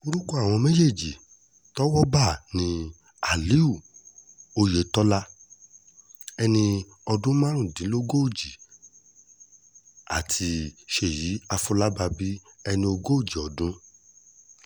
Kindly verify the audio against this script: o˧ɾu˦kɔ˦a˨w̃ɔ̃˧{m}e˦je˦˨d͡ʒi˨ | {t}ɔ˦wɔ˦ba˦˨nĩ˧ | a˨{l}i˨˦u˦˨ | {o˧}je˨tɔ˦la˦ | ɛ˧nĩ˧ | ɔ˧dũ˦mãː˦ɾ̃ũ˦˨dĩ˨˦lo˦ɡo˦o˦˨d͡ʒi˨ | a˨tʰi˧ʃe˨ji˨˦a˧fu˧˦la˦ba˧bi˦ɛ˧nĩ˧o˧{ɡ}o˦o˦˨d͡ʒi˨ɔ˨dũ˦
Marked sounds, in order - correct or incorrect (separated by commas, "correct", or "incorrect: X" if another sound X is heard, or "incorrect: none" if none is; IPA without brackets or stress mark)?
correct, correct, correct, correct, correct